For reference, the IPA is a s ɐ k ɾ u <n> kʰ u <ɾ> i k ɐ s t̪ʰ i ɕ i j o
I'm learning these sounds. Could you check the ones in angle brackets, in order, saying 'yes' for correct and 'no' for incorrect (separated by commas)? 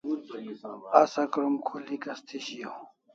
no, no